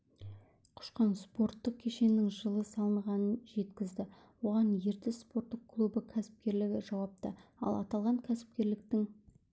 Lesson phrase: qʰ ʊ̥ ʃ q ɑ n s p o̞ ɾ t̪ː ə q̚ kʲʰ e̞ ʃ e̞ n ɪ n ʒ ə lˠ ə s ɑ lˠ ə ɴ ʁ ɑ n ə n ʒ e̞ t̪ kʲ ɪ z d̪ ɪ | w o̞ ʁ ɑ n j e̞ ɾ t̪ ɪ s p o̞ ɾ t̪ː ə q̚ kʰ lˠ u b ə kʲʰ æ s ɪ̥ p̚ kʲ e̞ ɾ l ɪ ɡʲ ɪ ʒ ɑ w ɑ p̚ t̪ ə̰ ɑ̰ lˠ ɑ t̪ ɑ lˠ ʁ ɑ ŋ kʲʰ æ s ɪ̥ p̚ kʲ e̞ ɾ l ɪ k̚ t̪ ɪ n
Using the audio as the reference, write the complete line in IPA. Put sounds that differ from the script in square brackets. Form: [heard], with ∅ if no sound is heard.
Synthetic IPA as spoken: qʰ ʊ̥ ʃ q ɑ n s p o̞ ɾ t̪ː ə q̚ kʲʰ e̞ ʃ e̞ n ɪ [ŋ] ʒ ə lˠ ə s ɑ lˠ ə ɴ ʁ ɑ n ə n ʒ e̞ t̪ kʲ ɪ z d̪ ɪ | w o̞ ʁ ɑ n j e̞ ɾ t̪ ɪ s p o̞ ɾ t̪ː ə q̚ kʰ lˠ u b ə kʲʰ æ s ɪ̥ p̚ kʲ e̞ ɾ l ɪ ɡʲ ɪ ʒ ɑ w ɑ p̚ t̪ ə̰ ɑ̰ lˠ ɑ t̪ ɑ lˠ ʁ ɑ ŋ kʲʰ æ s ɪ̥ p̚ kʲ e̞ ɾ l ɪ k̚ t̪ ɪ [ŋ]